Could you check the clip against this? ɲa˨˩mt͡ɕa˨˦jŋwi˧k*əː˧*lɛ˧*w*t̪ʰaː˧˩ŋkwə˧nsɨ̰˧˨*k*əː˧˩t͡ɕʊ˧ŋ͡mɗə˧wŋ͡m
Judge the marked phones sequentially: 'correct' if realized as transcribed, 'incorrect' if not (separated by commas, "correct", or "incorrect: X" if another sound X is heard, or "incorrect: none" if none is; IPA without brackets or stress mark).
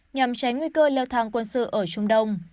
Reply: correct, correct, incorrect: ʔ